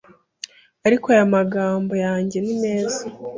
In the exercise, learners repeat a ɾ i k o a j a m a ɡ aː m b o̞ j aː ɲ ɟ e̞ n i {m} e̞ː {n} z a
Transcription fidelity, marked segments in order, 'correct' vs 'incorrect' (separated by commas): correct, incorrect